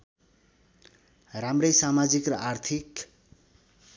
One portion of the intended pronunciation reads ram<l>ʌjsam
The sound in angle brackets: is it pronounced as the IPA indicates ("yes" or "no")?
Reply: no